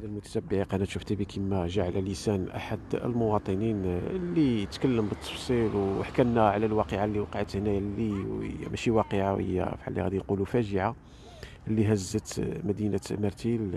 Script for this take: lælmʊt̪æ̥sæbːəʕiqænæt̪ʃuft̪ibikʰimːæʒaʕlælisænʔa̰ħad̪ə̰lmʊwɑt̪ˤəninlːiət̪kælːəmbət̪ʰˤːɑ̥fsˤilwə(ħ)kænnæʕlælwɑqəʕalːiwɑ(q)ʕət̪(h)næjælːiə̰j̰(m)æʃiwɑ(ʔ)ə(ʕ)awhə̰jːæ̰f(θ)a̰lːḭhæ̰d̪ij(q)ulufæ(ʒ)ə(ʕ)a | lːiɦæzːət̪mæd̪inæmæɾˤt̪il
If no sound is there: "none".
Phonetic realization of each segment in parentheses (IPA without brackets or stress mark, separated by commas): ħ, q, h, m, q, ʕ, ħ, q, ʒ, ʕ